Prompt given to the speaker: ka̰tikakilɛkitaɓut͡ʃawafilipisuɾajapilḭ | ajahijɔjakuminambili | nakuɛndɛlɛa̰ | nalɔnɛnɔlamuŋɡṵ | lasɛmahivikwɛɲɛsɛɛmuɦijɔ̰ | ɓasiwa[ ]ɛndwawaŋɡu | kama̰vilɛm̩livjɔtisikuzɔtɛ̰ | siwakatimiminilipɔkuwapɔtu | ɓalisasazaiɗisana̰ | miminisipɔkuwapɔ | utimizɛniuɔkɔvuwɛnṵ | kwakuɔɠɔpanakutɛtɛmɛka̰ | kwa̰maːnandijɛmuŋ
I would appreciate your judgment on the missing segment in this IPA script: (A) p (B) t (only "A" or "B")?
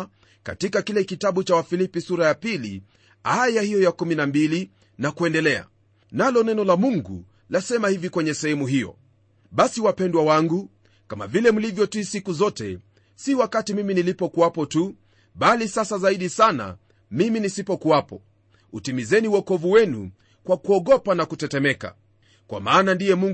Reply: A